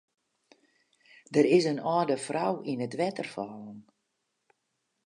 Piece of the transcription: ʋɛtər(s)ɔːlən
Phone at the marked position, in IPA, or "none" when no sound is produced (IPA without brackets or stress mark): f